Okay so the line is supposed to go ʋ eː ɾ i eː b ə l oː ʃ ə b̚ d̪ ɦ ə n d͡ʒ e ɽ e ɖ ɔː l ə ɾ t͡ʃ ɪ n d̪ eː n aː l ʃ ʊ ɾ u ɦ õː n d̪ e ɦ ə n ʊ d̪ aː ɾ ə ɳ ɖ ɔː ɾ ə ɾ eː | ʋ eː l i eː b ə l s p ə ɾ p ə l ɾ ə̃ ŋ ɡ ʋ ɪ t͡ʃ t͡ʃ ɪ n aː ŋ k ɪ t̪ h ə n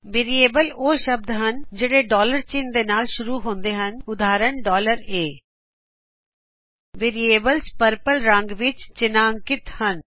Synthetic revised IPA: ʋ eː ɾ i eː b ə l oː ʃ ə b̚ d̪ ɦ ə n d͡ʒ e ɽ e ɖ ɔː l ə ɾ t͡ʃ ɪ n d̪ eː n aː l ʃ ʊ ɾ u ɦ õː n d̪ e ɦ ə n ʊ d̪ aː ɾ ə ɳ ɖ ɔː l ə ɾ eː | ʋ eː ɾ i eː b ə l s p ə ɾ p ə l ɾ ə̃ ŋ ɡ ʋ ɪ t͡ʃ t͡ʃ ɪ n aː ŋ k ɪ t̪ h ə n